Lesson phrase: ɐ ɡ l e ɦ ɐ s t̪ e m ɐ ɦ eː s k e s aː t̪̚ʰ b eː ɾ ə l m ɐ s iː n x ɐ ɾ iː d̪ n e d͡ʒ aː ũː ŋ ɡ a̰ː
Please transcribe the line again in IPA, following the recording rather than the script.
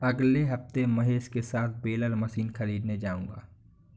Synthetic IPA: ɐ ɡ l e ɦ ɐ f t̪ e m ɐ ɦ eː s k e s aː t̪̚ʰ b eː l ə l m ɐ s iː n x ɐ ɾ iː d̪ n e d͡ʒ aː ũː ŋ ɡ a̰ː